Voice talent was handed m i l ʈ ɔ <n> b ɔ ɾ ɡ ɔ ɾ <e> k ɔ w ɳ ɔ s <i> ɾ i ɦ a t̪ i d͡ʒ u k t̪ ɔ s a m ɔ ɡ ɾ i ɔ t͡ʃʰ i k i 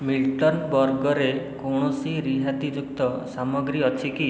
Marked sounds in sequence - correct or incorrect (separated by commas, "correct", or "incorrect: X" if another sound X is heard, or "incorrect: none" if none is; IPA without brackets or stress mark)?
correct, correct, correct